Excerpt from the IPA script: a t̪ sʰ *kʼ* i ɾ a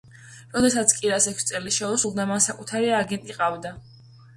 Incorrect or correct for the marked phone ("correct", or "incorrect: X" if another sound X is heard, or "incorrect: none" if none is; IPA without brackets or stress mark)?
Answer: correct